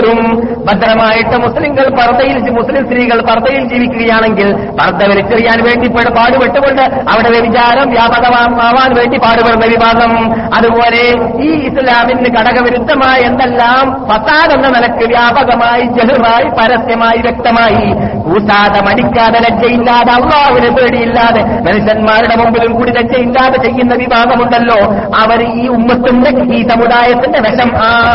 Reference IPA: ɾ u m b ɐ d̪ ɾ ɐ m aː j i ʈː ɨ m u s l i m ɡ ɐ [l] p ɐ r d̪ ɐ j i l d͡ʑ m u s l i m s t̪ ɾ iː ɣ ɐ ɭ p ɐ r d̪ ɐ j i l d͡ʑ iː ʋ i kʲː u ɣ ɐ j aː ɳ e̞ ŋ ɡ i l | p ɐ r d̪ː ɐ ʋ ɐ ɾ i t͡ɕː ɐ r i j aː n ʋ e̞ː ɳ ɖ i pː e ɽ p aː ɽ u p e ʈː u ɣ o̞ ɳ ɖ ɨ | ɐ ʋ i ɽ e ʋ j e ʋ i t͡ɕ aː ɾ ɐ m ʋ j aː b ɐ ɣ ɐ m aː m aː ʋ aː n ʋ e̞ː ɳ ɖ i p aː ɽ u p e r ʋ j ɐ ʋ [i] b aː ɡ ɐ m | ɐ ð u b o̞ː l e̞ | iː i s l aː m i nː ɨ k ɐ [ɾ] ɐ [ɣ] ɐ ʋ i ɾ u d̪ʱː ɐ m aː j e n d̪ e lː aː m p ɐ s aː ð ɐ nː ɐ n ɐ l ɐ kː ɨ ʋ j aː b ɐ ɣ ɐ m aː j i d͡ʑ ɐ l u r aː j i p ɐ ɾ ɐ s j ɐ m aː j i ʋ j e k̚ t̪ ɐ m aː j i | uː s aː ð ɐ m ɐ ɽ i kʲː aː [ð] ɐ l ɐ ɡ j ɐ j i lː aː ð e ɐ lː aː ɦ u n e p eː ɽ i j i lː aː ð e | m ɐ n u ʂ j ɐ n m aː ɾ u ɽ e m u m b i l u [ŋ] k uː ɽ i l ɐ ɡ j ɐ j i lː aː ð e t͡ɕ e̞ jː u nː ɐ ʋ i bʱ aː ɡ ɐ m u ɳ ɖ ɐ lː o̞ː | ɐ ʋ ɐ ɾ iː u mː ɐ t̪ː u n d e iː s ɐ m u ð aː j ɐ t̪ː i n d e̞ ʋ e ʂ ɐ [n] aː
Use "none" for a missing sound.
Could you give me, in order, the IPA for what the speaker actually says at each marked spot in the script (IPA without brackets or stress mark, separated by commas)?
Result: ɭ, i, ɽ, ɣ, ð, m, m